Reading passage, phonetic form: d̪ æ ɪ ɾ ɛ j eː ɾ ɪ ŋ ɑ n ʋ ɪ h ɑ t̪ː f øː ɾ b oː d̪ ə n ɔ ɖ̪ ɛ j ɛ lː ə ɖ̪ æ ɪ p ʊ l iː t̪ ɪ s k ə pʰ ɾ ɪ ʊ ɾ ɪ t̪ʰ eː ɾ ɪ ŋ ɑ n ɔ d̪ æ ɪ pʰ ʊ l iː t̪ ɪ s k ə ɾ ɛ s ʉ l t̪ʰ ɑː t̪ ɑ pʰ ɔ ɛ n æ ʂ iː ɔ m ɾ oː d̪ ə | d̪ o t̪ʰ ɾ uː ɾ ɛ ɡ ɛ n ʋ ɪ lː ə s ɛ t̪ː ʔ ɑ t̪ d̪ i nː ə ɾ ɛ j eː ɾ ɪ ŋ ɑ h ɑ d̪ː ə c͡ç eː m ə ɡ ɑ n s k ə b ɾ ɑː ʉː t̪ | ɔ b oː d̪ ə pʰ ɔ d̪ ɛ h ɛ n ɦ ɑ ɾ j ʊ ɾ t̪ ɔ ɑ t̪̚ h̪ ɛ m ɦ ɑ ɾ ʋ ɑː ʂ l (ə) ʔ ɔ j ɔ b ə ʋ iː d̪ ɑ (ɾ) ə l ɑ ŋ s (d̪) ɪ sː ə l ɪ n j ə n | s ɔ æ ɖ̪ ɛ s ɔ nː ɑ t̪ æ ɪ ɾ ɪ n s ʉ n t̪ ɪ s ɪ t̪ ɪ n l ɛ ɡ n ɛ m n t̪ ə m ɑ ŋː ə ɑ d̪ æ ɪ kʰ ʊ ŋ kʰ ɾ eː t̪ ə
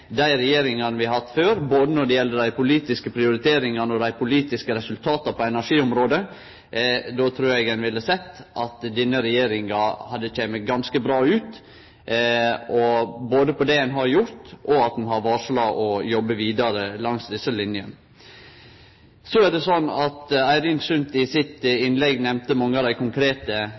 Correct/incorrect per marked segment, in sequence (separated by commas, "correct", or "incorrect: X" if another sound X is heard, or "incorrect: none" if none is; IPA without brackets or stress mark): incorrect: ɑ, correct, correct